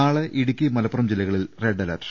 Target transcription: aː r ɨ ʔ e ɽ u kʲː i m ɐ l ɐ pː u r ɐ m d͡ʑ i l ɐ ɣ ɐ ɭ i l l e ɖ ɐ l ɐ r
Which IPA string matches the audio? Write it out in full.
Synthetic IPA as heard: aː ɭ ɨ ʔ i ɽ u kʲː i m ɐ l ɐ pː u r ɐ m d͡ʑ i l ɐ ɣ ɐ ɭ i l r e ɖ ɐ l ɐ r